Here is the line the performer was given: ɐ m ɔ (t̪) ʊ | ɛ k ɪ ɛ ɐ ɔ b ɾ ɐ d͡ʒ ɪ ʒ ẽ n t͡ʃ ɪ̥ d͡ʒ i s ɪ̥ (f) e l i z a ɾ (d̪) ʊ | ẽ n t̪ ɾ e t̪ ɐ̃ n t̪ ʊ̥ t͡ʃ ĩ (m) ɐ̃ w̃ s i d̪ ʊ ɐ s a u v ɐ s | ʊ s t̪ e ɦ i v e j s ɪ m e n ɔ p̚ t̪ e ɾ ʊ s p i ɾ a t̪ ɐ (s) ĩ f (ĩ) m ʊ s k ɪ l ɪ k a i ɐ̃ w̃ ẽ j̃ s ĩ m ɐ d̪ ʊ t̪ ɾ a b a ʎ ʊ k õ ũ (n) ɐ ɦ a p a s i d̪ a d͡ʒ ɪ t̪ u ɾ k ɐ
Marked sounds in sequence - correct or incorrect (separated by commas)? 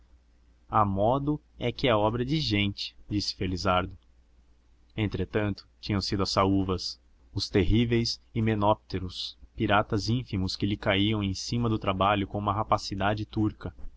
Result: incorrect, correct, correct, incorrect, incorrect, incorrect, incorrect